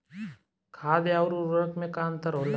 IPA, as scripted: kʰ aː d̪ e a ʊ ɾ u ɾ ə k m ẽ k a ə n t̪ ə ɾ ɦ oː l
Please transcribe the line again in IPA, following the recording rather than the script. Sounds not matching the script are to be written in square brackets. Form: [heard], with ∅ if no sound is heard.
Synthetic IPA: kʰ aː d̪ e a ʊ ɾ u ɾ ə k m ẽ k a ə n t̪ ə ɾ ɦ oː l